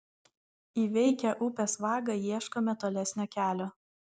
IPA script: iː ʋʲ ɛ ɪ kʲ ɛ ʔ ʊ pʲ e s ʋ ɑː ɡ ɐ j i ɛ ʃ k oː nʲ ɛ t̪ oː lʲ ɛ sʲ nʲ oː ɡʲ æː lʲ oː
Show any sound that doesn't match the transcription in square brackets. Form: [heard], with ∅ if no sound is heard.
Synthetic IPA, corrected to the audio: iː ʋʲ ɛ ɪ kʲ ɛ ʔ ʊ pʲ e s ʋ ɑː ɡ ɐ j i ɛ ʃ k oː [mʲ] ɛ t̪ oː lʲ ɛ sʲ nʲ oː [kʲ] æː lʲ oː